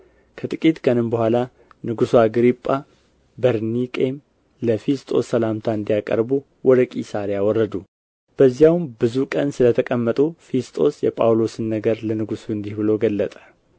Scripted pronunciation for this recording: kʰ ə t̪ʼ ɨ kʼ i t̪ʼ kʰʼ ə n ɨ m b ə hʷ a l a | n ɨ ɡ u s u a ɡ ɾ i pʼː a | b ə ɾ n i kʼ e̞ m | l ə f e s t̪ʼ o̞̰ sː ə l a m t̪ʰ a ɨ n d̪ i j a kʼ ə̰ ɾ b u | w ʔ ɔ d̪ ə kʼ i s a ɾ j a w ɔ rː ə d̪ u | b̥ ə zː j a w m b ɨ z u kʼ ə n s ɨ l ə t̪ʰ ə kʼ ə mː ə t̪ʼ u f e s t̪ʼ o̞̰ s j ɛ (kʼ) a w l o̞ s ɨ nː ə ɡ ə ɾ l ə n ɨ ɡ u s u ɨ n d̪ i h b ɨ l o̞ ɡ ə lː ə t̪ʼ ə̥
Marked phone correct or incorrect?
incorrect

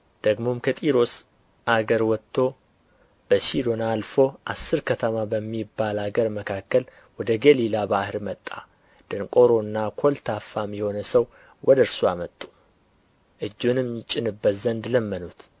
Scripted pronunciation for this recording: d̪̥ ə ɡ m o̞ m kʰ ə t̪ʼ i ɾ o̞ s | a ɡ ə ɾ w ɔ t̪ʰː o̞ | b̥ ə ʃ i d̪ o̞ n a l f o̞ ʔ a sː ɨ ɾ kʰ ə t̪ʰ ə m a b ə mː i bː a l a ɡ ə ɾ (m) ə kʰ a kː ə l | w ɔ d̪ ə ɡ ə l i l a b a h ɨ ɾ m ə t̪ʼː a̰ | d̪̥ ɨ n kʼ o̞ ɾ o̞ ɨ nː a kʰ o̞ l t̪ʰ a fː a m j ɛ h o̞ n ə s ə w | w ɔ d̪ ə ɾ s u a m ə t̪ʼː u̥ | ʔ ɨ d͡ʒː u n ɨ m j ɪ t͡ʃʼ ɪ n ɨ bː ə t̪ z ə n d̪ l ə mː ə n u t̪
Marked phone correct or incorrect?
correct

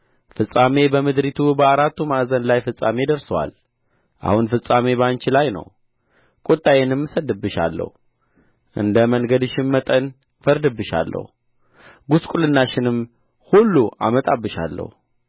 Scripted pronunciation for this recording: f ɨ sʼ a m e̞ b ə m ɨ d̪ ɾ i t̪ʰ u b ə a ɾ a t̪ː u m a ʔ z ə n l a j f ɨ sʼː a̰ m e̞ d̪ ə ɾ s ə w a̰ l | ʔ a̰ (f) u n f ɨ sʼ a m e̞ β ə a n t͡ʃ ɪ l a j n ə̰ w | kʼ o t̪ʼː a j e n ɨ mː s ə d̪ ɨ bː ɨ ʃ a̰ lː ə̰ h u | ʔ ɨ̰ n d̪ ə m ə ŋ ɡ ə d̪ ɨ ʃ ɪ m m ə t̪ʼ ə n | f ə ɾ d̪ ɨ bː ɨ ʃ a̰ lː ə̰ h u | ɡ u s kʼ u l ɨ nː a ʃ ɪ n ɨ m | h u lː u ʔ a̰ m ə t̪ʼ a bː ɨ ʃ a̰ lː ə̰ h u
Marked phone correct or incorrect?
incorrect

